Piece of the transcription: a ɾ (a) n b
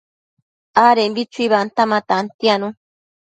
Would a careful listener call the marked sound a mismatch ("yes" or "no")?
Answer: yes